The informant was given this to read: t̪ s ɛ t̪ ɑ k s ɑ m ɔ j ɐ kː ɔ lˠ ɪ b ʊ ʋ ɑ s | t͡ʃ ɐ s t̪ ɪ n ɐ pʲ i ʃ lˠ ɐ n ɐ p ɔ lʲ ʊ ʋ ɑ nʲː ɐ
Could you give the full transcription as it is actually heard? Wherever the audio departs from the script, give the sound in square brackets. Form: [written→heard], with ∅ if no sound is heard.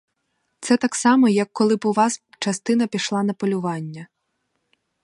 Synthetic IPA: t̪ s ɛ t̪ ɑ k s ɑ m ɔ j ɐ kː ɔ lˠ ɪ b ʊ ʋ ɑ s | t͡ʃ ɐ s t̪ ɪ n ɐ pʲ i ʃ lˠ [ɐ→ɑ] n ɐ p ɔ lʲ ʊ ʋ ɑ nʲː ɐ